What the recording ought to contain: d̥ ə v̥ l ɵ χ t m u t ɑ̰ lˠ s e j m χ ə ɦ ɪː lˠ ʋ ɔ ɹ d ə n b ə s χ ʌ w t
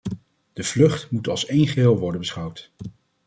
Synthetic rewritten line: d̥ ə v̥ l ɵ χ t m u t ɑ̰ lˠ s e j n χ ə ɦ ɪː lˠ ʋ ɔ ɹ d ə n b ə s χ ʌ w t